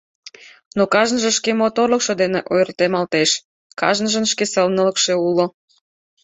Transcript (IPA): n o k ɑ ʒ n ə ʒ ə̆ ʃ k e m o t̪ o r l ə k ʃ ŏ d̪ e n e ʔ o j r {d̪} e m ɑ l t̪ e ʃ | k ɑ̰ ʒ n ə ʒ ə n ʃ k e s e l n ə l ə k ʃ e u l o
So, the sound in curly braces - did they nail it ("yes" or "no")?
no